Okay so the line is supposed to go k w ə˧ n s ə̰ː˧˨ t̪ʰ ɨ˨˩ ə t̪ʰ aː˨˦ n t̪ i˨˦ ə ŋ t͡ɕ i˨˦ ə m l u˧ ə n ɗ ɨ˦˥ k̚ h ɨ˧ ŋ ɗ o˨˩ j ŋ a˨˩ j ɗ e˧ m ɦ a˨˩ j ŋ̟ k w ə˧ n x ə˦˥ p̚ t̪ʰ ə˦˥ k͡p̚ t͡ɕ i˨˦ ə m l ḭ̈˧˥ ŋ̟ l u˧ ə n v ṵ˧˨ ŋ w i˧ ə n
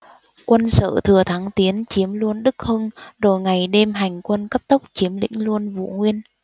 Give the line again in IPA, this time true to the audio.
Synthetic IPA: k w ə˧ n s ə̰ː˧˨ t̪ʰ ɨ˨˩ ə t̪ʰ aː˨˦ ŋ t̪ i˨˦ ə n t͡ɕ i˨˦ ə m l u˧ ə n ɗ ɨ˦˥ k̚ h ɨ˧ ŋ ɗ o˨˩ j ŋ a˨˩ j ɗ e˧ m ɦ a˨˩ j ŋ̟ k w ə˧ n k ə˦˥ p̚ t̪ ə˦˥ k͡p̚ t͡ɕ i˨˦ ə m l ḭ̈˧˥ ŋ̟ l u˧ ə n v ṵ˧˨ ŋ w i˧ ə n